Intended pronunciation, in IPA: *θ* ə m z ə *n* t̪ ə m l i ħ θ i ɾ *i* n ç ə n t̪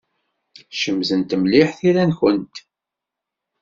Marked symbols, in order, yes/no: no, yes, no

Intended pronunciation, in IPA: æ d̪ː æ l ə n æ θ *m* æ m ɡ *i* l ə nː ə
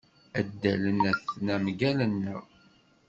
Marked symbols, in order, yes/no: no, no

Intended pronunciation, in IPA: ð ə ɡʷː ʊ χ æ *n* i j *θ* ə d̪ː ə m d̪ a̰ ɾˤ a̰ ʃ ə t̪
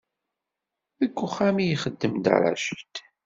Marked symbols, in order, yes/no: no, no

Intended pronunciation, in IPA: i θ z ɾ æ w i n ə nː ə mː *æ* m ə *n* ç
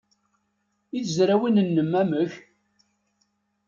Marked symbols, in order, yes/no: yes, no

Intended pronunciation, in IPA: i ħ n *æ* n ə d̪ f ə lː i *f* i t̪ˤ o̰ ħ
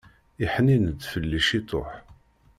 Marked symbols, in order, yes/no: no, no

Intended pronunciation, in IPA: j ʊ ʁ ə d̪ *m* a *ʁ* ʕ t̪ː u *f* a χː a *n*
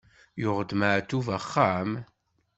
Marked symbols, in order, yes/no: yes, no, no, no

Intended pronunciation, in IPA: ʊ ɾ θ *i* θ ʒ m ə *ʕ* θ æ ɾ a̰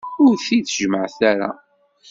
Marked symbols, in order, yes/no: yes, yes

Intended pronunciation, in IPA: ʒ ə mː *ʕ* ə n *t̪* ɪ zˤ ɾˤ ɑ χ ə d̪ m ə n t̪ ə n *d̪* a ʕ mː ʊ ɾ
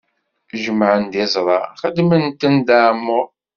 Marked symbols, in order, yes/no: yes, no, yes

